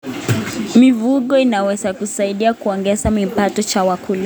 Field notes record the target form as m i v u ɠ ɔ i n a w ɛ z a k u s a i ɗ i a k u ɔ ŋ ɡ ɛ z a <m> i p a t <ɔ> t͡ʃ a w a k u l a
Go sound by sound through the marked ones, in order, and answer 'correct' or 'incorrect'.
correct, correct

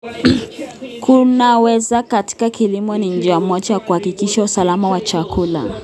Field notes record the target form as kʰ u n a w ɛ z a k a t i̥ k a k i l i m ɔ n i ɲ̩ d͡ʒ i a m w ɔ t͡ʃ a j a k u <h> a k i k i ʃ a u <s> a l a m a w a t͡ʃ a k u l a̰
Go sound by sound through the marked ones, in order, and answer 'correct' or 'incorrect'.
correct, correct

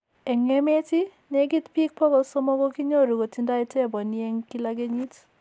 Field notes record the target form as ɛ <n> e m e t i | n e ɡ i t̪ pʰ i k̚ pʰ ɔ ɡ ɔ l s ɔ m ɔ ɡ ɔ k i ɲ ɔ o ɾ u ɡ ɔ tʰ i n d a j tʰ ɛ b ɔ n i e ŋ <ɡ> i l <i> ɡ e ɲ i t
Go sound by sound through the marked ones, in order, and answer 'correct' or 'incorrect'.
incorrect: ŋ, incorrect: k, incorrect: a

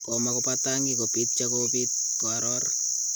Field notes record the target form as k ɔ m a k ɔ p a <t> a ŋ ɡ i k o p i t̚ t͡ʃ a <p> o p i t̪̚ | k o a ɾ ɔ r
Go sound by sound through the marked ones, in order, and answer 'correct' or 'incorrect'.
correct, incorrect: k

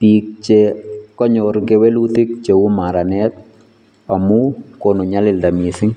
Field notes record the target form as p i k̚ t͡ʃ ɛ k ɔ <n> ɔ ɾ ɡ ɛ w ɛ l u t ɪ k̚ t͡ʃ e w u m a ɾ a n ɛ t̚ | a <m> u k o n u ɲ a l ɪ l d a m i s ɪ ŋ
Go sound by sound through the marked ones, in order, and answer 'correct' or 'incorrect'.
incorrect: ɲ, correct

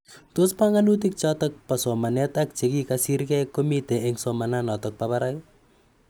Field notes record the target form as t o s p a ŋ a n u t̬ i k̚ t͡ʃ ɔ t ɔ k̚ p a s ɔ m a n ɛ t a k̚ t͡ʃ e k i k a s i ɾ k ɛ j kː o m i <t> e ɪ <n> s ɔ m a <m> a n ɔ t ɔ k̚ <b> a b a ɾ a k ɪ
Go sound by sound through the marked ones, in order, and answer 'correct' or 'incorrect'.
correct, incorrect: ŋ, incorrect: n, incorrect: p

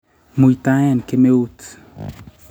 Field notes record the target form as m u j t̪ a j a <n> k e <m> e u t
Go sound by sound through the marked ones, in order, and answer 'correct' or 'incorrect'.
correct, correct

